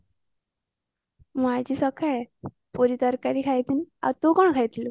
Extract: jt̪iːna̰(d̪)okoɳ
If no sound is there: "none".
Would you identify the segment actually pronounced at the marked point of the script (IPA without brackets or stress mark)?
t̪